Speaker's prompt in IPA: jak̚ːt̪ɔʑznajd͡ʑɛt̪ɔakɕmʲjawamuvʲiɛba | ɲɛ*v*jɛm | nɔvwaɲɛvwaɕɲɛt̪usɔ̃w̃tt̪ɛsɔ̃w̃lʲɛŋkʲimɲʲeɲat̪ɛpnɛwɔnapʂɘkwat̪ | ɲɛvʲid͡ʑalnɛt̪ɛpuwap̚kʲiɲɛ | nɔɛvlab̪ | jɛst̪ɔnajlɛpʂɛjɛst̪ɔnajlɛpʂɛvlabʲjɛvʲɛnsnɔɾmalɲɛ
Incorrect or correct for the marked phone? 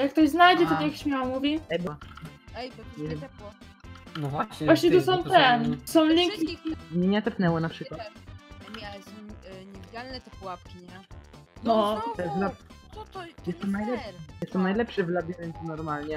correct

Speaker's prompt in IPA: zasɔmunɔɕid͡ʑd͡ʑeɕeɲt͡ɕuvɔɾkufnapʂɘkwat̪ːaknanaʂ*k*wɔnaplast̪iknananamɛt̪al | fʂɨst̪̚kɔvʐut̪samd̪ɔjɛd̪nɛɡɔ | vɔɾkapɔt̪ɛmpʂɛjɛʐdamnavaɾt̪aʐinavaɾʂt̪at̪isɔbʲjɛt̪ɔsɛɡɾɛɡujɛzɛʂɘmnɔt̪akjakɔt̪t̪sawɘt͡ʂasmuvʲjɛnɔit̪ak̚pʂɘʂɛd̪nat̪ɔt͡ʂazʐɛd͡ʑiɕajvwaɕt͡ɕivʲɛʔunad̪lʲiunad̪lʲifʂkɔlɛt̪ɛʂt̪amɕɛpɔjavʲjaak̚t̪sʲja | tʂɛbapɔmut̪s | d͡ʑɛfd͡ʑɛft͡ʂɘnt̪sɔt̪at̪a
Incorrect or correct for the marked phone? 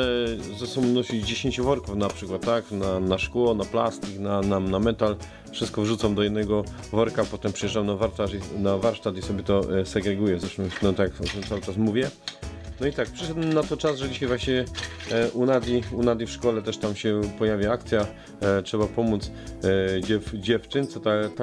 correct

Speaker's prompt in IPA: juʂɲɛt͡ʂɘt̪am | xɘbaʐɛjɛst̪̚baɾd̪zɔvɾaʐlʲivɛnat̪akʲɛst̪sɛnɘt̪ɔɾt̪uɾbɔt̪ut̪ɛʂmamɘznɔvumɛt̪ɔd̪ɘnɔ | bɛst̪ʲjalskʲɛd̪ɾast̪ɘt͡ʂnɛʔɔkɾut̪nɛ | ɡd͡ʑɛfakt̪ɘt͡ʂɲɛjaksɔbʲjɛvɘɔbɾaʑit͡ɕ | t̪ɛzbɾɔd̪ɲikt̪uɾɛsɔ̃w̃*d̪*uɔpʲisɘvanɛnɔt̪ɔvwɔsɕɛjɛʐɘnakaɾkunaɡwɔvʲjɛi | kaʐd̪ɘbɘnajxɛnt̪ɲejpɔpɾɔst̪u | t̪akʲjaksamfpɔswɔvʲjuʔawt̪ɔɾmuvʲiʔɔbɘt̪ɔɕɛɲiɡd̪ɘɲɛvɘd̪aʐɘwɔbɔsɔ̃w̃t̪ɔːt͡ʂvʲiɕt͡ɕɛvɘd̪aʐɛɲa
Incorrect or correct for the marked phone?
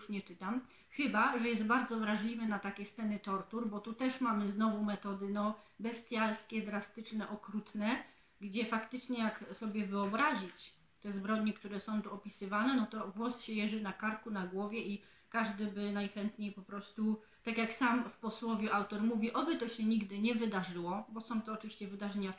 incorrect: t̪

